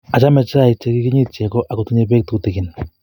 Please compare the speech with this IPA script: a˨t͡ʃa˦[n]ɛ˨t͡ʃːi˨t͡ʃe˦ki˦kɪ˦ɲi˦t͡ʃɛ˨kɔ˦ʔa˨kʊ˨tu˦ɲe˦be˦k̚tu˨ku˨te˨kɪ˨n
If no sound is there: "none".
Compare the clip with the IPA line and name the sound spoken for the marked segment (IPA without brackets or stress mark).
m